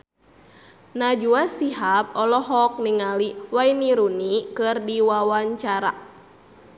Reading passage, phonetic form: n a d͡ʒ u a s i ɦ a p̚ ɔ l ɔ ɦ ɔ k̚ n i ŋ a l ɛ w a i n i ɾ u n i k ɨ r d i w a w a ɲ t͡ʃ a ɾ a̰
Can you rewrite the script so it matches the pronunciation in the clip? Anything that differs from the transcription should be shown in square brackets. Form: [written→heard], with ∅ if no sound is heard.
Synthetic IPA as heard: n a d͡ʒ u a s i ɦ a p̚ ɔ l ɔ ɦ ɔ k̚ n i ŋ a l [ɛ→i] w a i n i ɾ u n i k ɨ r d i w a w a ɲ t͡ʃ a ɾ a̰